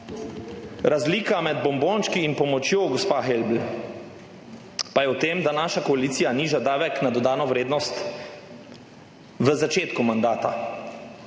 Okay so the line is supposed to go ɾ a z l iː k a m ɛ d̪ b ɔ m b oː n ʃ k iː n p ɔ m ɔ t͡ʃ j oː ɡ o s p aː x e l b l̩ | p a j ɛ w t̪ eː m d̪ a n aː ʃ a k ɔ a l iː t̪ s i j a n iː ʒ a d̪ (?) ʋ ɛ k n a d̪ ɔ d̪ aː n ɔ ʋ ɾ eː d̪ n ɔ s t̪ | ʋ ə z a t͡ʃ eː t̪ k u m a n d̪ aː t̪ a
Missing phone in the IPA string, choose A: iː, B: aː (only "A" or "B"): B